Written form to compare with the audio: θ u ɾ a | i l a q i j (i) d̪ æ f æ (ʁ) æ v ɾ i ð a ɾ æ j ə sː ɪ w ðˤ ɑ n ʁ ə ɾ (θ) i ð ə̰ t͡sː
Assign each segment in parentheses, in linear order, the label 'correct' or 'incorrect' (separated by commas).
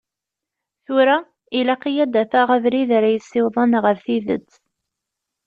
incorrect, correct, correct